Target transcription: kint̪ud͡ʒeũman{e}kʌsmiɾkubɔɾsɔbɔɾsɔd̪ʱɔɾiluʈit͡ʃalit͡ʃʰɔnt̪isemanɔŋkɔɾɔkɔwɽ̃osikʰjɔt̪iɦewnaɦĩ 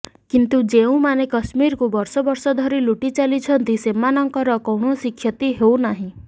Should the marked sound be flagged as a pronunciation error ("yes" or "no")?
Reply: no